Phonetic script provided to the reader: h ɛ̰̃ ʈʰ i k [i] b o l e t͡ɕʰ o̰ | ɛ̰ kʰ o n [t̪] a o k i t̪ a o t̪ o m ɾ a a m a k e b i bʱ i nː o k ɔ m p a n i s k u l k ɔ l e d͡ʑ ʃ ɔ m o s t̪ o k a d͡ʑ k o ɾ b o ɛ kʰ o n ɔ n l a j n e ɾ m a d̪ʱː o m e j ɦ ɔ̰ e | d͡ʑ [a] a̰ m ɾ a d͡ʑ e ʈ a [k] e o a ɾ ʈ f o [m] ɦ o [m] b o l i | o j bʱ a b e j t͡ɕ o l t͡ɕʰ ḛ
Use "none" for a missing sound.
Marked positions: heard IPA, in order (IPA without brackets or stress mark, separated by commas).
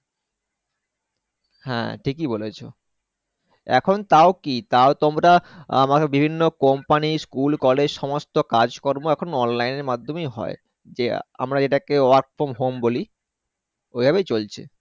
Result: i, t̪, e, k, m, m